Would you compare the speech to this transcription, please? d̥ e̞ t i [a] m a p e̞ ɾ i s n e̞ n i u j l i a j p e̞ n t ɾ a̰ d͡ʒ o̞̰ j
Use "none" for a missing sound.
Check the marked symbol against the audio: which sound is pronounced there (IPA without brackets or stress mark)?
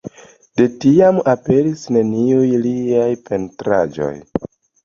a